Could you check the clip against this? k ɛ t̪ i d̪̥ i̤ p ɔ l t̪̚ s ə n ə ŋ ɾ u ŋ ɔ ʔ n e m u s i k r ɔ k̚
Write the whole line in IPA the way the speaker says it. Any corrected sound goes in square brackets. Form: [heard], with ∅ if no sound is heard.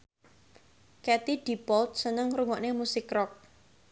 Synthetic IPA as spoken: k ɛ t̪ i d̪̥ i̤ p ɔ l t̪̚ s ə n ə ŋ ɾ u ŋ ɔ ʔ n e m u s [ɪ] k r ɔ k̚